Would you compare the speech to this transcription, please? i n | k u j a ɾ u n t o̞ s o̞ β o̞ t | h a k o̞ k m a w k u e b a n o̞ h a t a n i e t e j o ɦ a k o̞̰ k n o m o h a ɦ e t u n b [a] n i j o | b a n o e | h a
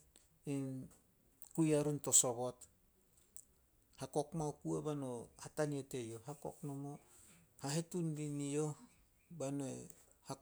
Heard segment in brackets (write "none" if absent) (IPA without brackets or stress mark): i